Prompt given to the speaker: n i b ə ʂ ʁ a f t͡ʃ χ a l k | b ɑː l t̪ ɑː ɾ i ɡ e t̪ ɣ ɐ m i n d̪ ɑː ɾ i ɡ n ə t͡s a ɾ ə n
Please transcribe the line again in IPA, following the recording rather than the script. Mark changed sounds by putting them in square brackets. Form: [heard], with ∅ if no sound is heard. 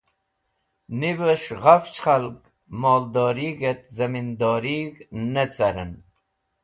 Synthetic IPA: n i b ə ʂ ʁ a f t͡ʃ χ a l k | [m] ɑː l [d̪] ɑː ɾ i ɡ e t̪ [z] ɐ m i n d̪ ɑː ɾ i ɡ n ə t͡s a ɾ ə n